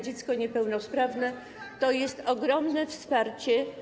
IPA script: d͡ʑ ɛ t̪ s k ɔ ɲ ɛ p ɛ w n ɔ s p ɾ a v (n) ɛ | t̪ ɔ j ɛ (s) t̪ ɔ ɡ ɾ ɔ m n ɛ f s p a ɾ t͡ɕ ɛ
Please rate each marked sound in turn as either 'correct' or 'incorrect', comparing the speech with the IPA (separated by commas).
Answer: correct, correct